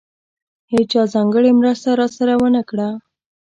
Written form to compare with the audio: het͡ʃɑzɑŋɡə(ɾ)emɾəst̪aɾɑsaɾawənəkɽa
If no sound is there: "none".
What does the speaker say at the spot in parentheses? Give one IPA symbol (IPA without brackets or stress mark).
ɽ